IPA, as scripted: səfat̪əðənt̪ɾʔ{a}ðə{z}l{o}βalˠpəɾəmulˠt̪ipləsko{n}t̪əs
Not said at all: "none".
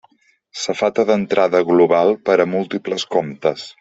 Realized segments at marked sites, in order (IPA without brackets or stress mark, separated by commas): a, ɣ, u, m